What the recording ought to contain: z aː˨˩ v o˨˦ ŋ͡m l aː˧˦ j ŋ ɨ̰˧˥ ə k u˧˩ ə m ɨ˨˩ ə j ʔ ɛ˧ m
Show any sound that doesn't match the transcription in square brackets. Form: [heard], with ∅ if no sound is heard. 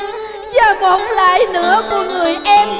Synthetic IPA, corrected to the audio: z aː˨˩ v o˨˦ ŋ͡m l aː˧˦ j [n] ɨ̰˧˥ ə k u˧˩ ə [ŋ] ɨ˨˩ ə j ʔ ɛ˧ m